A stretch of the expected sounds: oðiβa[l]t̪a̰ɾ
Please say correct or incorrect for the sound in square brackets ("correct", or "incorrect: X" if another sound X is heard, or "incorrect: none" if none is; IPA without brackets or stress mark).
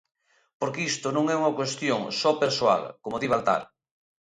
correct